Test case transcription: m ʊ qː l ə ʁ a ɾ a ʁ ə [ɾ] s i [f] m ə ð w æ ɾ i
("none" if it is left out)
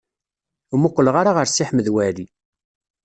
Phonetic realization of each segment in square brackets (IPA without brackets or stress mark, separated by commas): ɾ, ħ